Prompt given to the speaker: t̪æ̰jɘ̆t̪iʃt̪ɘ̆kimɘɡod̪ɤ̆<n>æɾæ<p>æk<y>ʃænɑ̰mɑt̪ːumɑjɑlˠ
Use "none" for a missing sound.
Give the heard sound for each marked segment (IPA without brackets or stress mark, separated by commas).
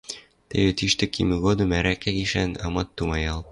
m, k, i